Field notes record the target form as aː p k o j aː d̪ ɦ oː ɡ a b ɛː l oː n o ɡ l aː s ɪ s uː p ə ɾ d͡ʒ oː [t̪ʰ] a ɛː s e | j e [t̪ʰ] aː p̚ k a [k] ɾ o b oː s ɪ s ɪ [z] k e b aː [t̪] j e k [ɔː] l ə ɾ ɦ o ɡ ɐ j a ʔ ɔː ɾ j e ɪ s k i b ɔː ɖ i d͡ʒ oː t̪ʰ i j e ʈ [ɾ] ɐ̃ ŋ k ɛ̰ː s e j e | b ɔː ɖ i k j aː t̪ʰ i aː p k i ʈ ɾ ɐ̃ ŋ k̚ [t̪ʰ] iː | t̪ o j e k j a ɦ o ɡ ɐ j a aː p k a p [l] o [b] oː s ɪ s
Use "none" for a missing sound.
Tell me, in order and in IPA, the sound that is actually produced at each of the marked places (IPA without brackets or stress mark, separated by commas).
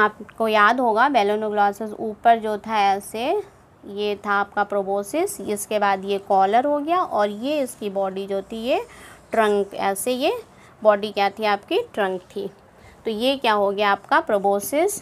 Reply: t̪ʰ, t̪ʰ, p, s, d̪, ɔː, ɾ, t̪ʰ, ɾ, b